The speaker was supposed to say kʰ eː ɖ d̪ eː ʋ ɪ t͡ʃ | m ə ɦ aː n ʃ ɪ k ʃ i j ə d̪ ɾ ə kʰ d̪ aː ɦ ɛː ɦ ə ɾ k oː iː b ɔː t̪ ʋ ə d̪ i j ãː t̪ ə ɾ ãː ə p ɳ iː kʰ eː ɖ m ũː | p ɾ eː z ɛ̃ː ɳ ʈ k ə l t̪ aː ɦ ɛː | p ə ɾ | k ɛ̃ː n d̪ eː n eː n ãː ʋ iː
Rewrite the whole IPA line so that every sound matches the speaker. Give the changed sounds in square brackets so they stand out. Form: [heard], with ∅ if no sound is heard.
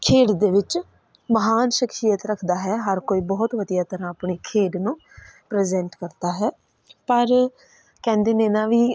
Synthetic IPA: kʰ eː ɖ d̪ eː ʋ ɪ t͡ʃ | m ə ɦ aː n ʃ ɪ k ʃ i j ə [t̪] ɾ ə kʰ d̪ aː ɦ ɛː ɦ ə ɾ k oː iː b ɔː t̪ ʋ ə d̪ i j [aː] t̪ ə ɾ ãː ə p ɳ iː kʰ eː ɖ [n] ũː | p ɾ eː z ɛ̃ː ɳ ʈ k ə [ɾ] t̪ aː ɦ ɛː | p ə ɾ | k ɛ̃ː n d̪ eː n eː n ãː ʋ iː